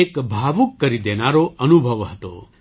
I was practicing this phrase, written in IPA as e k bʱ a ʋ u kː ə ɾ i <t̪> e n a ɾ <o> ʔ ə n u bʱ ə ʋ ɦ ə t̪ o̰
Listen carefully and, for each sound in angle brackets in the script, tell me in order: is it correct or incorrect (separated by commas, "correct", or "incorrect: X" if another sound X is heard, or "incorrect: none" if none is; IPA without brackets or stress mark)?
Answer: incorrect: d̪, correct